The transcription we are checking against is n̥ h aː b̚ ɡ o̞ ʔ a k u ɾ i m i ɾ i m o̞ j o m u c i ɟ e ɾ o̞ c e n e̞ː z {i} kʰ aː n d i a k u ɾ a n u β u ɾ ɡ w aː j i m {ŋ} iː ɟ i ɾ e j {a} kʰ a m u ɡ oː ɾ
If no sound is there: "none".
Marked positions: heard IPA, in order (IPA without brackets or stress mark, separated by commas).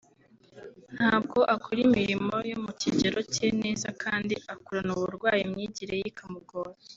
a, ɲ, i